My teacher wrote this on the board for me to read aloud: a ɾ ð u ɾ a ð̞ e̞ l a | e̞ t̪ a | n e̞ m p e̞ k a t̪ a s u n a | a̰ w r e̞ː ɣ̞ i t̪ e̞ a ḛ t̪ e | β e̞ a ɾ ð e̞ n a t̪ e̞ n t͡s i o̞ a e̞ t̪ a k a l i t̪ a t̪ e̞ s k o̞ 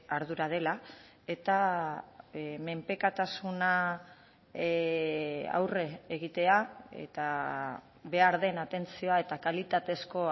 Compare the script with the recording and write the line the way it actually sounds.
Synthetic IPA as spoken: a ɾ ð u ɾ a ð̞ e̞ l a | e̞ t̪ a | m e̞ m p e̞ k a t̪ a s u n a | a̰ w r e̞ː ɣ̞ i t̪ e̞ a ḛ t̪ a | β e̞ a ɾ ð e̞ n a t̪ e̞ n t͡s i o̞ a e̞ t̪ a k a l i t̪ a t̪ e̞ s k o̞